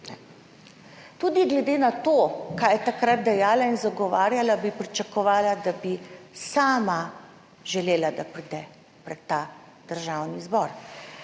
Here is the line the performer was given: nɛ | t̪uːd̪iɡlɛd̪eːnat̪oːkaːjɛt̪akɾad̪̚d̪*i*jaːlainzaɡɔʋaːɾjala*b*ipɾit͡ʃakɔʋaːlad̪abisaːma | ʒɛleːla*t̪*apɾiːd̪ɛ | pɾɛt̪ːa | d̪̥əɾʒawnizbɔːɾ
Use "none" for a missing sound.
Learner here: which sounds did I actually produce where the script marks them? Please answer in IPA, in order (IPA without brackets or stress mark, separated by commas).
ɛ, b, d̪